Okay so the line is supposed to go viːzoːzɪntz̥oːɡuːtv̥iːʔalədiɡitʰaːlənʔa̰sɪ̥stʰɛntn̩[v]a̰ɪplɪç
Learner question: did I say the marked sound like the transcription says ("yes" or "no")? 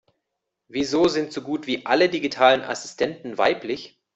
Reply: yes